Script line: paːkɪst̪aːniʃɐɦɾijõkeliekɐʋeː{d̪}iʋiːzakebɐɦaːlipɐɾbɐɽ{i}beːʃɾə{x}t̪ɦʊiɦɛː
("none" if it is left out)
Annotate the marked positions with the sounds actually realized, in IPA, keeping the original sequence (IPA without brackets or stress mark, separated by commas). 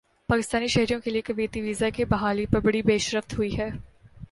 t̪, i, f